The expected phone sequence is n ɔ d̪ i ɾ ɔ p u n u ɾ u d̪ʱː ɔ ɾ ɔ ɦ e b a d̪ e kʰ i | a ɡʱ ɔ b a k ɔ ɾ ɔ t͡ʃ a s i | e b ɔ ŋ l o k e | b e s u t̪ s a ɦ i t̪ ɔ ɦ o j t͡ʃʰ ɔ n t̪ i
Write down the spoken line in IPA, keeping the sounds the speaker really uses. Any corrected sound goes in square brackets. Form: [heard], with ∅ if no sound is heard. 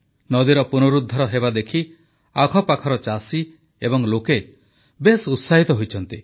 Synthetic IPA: n ɔ d̪ i ɾ ɔ p u n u ɾ u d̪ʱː ɔ ɾ ɔ ɦ e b a d̪ e kʰ i | a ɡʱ ɔ [p] a [kʰ] ɔ ɾ ɔ t͡ʃ a s i | e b ɔ ŋ l o k e | b e s u t̪ s a ɦ i t̪ ɔ ɦ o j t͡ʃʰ ɔ n t̪ i